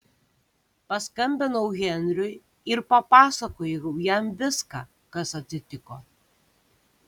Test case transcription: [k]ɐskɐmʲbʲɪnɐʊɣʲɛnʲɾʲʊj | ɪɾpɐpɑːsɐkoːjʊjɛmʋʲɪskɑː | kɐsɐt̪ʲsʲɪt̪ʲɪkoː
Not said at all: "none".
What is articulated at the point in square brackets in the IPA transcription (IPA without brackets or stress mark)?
p